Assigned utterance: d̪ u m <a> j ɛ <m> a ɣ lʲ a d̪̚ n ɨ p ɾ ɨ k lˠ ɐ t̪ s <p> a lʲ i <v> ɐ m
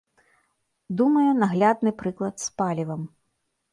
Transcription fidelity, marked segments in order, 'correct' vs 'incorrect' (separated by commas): incorrect, incorrect, correct, correct